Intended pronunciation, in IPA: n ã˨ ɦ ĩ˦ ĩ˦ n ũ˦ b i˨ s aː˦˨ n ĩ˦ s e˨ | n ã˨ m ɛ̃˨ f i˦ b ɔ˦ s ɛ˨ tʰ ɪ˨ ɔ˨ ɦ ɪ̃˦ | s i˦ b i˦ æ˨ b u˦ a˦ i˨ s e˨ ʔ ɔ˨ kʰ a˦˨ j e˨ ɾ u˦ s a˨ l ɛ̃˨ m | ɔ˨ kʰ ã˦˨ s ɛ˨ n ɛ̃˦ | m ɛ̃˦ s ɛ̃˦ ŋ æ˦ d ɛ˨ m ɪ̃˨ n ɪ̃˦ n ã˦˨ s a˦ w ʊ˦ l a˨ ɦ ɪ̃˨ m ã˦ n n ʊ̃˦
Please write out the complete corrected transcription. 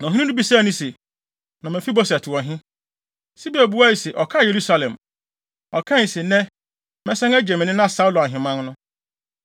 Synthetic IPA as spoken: n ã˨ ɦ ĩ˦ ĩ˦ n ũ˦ b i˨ s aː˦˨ n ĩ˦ s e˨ | n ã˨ m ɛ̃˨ f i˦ b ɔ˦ s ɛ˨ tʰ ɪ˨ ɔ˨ ɦ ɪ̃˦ | s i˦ b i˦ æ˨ b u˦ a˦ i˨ s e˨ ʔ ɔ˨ kʰ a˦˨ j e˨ ɾ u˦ s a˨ l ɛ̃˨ m | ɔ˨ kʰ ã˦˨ s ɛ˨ n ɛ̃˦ | m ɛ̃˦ s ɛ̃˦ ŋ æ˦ d͡ʑ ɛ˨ m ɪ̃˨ n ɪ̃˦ n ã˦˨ s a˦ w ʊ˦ l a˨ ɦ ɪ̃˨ m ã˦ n n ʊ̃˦